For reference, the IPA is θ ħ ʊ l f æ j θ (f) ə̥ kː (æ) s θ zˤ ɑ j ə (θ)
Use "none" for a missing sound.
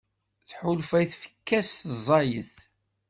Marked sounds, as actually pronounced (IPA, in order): f, æ, θ

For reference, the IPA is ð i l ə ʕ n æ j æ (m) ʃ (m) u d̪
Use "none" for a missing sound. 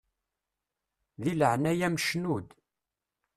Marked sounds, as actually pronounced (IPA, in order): m, n

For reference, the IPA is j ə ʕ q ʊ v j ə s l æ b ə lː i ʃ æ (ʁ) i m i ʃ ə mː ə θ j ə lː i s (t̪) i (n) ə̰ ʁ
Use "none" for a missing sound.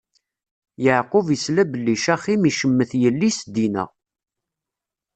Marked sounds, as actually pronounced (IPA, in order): χ, d̪, n

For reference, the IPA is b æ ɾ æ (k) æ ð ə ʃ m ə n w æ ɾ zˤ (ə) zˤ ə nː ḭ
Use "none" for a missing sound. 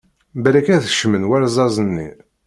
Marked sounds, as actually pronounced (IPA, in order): k, ɑ

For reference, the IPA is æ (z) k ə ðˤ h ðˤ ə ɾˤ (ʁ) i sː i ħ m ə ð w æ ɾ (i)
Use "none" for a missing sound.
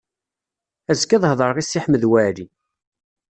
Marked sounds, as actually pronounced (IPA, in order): z, ʁ, i

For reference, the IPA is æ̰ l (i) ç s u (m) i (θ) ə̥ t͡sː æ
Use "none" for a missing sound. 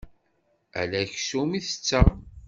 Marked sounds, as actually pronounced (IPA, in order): æ, m, θ

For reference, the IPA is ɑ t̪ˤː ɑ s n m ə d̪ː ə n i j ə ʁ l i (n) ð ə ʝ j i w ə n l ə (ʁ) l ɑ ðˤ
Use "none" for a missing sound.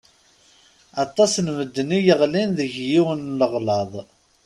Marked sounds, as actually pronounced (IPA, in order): n, ʁ

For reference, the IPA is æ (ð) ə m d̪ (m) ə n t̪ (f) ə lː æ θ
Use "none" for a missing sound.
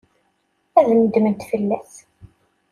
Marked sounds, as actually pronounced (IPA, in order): ð, m, f

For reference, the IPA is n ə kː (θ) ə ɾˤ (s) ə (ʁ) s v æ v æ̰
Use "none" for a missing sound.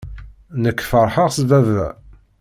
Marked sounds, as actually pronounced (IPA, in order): f, ħ, ʁ

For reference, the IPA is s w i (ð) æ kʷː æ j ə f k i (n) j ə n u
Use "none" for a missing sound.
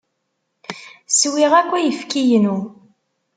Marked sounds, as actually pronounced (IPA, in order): ʁ, none

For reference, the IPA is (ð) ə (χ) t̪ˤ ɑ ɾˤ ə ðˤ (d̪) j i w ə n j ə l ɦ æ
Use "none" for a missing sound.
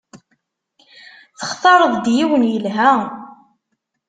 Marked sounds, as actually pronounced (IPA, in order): θ, χ, d̪

